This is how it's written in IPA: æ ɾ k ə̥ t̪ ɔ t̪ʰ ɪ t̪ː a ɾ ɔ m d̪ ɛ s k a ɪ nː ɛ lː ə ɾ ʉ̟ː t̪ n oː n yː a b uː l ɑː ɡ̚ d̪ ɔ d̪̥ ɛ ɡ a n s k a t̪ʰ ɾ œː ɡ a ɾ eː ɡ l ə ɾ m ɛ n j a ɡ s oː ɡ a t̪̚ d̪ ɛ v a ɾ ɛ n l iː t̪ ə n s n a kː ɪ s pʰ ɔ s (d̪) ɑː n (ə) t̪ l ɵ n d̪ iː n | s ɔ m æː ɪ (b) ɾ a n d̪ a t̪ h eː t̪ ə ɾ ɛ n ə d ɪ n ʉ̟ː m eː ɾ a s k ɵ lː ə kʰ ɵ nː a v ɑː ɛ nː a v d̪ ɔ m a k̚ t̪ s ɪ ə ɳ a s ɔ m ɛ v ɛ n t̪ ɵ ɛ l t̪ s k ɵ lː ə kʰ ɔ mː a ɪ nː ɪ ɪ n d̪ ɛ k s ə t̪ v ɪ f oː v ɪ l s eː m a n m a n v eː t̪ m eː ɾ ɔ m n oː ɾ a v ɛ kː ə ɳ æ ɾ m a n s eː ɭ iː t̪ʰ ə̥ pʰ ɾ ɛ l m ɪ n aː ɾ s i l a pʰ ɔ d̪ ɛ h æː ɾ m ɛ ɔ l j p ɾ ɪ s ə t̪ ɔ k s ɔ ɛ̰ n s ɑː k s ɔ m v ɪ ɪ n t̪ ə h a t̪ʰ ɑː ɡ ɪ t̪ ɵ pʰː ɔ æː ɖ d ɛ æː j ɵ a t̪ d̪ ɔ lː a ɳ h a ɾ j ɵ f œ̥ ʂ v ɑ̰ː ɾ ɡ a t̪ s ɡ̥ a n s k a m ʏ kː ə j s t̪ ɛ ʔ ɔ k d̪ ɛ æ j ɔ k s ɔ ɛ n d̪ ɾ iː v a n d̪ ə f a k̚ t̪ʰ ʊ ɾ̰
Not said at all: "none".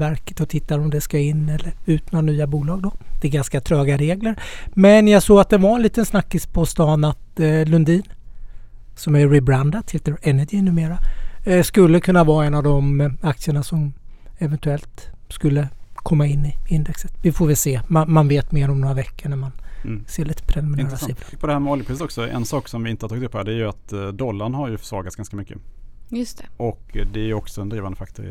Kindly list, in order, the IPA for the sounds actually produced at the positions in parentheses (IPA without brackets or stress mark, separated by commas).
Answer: t̪, a, b